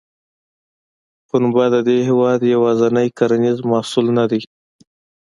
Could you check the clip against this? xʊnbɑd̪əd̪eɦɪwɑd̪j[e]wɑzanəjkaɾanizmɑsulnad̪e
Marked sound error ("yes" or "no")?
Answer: yes